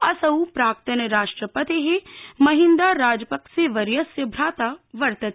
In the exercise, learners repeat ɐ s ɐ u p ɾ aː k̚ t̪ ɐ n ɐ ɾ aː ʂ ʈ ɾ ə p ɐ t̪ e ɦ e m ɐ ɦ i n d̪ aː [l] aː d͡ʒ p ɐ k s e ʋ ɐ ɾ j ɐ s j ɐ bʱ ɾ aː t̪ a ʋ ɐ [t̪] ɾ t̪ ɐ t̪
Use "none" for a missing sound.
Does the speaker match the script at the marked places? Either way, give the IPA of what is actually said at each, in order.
ɾ, none

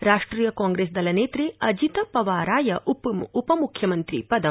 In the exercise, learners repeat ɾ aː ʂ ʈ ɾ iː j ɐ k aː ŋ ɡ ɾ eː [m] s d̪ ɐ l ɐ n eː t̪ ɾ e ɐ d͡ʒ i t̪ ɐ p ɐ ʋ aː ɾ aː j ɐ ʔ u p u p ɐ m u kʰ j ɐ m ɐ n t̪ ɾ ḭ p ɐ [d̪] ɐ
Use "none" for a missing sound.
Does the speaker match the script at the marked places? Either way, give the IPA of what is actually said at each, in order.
none, d̪

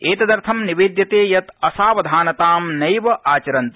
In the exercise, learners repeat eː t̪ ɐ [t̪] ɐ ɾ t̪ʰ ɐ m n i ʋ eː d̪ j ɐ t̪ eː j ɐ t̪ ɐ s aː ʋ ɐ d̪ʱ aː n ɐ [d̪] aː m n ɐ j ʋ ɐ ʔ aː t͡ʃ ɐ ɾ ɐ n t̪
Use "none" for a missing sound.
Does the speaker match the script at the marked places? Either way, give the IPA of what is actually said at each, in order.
d̪, t̪

